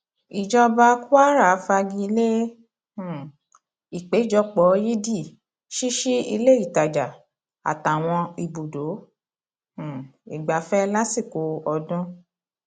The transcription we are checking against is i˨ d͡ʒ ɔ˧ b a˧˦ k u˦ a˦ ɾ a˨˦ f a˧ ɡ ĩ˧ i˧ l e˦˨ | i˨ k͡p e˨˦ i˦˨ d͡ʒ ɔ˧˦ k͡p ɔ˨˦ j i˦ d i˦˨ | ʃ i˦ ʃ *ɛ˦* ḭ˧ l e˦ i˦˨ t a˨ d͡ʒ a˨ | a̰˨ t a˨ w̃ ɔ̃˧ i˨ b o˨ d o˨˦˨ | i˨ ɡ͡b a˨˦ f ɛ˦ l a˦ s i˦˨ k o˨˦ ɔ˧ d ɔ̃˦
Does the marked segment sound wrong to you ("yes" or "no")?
yes